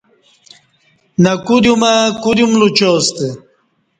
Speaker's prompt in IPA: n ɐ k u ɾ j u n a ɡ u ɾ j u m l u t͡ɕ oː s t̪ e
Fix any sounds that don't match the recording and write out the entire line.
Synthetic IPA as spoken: n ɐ k u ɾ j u m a k u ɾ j u m l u t͡ɕ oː s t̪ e